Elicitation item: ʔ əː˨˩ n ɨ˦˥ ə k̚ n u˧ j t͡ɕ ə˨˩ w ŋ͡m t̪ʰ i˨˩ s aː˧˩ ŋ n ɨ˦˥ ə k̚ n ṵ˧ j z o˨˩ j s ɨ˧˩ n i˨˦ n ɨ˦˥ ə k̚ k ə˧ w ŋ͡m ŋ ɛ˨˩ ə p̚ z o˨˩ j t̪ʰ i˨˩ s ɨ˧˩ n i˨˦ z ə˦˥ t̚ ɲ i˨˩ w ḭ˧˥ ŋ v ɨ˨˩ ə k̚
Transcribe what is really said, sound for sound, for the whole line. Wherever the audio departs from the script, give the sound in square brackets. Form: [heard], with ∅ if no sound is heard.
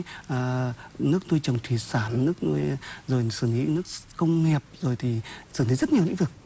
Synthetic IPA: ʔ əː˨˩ n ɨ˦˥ ə k̚ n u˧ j t͡ɕ ə˨˩ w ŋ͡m t̪ʰ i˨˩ s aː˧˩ [n] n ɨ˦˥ ə k̚ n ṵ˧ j z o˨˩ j s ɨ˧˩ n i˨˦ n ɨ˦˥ ə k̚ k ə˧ w ŋ͡m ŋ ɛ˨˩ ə p̚ z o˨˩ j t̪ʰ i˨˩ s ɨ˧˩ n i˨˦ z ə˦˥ t̚ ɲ i˨˩ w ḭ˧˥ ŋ v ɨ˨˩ ə k̚